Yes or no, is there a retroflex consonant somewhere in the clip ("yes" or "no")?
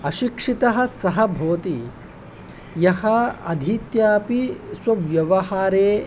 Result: yes